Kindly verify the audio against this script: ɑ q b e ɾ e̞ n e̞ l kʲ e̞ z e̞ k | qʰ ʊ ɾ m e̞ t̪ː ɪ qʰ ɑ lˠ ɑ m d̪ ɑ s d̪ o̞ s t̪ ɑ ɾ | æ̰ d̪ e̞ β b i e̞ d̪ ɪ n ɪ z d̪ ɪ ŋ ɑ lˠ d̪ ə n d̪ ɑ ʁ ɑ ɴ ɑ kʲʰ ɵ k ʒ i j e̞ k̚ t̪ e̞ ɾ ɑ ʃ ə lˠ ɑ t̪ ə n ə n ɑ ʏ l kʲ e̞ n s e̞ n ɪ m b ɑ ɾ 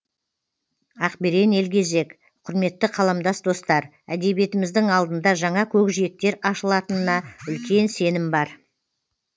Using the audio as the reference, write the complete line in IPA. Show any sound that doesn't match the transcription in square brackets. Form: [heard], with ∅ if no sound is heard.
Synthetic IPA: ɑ q b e ɾ e̞ n e̞ l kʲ e̞ z e̞ k | qʰ ʊ ɾ m e̞ t̪ː ɪ qʰ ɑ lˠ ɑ m d̪ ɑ s d̪ o̞ s t̪ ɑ ɾ | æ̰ d̪ e̞ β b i e̞ [t̪] ɪ [m] ɪ z d̪ ɪ ŋ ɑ lˠ d̪ ə n d̪ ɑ [ʒ] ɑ ɴ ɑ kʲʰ ɵ k ʒ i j e̞ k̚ t̪ e̞ ɾ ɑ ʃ ə lˠ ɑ t̪ ə n ə n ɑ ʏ l kʲ e̞ n s e̞ n ɪ m b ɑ ɾ

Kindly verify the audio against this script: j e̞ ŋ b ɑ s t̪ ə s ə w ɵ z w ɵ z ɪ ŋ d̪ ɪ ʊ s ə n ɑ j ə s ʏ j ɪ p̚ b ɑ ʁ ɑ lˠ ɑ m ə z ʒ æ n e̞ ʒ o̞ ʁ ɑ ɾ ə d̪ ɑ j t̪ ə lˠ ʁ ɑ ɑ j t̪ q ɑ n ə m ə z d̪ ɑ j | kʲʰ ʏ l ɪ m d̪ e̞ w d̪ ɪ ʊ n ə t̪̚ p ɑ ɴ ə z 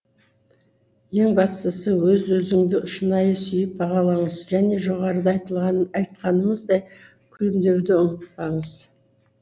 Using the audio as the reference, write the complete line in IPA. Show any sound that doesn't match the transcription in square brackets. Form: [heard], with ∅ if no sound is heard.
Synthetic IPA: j e̞ ŋ b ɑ s t̪ ə s ə w ɵ z w ɵ z ɪ ŋ d̪ ɪ ʊ [ʃ] ə n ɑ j ə s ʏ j ɪ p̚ b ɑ ʁ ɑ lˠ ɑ [ɴ] ə z ʒ æ n e̞ ʒ o̞ ʁ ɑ ɾ ə d̪ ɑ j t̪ ə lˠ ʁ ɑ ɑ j t̪ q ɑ n ə m ə z d̪ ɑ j | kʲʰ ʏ l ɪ m d̪ e̞ w d̪ ɪ ʊ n ə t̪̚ p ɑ ɴ ə z

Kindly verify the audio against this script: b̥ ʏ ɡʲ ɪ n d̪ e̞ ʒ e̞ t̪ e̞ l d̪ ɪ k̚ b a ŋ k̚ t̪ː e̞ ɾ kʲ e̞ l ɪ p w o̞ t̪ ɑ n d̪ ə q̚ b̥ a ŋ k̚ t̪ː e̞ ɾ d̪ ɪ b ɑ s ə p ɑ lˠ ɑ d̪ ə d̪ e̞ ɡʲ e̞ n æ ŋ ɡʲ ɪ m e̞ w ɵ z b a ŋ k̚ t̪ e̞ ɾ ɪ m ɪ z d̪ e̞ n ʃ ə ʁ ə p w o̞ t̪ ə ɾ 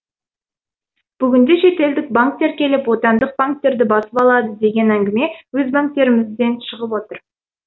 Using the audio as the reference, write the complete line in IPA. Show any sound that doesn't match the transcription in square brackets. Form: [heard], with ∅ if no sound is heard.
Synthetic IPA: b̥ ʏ ɡʲ ɪ n d̪ e̞ [ʃ] e̞ t̪ e̞ l d̪ ɪ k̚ b a ŋ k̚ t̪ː e̞ ɾ kʲ e̞ l ɪ p w o̞ t̪ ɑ n d̪ ə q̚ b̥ a ŋ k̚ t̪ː e̞ ɾ d̪ ɪ b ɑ s ə p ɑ lˠ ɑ d̪ ə d̪ e̞ ɡʲ e̞ n æ ŋ ɡʲ ɪ m e̞ w ɵ z b a ŋ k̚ t̪ e̞ ɾ ɪ m ɪ z d̪ e̞ n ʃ ə ʁ ə p w o̞ t̪ ə ɾ

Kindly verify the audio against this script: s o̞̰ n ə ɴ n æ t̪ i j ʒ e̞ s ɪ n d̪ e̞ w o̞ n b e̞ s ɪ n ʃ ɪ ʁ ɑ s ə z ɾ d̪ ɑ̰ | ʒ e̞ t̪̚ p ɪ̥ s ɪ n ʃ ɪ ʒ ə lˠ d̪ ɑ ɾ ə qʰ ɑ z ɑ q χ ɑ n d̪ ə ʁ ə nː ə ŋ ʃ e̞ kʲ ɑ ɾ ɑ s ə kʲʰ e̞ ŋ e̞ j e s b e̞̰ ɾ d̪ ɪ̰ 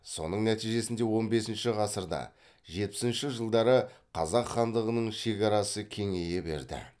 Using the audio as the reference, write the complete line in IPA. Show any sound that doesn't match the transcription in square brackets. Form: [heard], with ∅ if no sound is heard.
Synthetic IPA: s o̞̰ n ə ɴ n æ t̪ i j ʒ e̞ s ɪ n d̪ e̞ w o̞ n b e̞ s ɪ n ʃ ɪ ʁ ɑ s ə [∅] ɾ d̪ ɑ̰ | ʒ e̞ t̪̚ p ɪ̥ s ɪ n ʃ ɪ ʒ ə lˠ d̪ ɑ ɾ ə qʰ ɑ z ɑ q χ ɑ n d̪ ə ʁ ə [n] ə [ɴ] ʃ e̞ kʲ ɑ ɾ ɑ s ə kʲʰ e̞ ŋ e̞ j e [∅] b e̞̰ ɾ d̪ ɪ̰

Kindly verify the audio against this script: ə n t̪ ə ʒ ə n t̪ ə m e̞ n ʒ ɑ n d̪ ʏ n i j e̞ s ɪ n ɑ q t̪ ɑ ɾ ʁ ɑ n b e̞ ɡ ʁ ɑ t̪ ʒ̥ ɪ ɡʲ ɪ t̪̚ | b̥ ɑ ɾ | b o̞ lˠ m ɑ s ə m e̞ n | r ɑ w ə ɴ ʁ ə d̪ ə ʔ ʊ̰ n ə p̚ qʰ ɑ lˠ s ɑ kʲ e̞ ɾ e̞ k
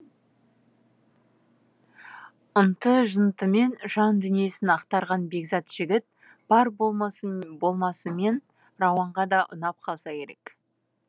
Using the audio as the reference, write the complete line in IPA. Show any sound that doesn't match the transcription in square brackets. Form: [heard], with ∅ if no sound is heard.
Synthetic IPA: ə n t̪ ə ʒ ə n t̪ ə m e̞ n ʒ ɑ n d̪ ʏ n i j e̞ s ɪ n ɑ q t̪ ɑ ɾ ʁ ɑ n b e̞ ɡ [z] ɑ t̪ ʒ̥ ɪ ɡʲ ɪ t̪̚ | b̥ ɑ ɾ | b o̞ lˠ m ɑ s ə m e̞ n | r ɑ w [ɑ] ɴ ʁ [ɑ] d̪ [ɑ] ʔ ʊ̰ n [ɑ] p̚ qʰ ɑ lˠ s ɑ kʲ e̞ ɾ e̞ k

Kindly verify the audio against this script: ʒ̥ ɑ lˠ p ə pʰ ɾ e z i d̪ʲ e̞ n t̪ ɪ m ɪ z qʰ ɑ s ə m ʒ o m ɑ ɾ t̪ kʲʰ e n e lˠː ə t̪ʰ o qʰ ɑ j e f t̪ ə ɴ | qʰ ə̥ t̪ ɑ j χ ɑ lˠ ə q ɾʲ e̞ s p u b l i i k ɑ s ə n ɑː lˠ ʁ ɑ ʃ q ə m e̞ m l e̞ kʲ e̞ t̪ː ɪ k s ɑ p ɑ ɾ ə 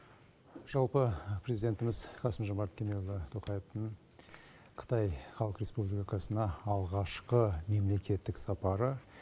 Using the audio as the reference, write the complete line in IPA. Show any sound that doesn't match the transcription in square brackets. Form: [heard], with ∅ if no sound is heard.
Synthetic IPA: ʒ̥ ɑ lˠ p ə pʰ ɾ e z i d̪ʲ e̞ n t̪ ɪ m ɪ z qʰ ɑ s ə m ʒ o m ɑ ɾ t̪ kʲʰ e [m] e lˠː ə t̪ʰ o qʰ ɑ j e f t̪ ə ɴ | qʰ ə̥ t̪ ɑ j χ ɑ lˠ ə q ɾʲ e̞ s p u b l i i k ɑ s ə n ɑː lˠ ʁ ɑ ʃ q ə m e̞ m l e̞ kʲ e̞ t̪ː ɪ k s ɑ p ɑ ɾ ə

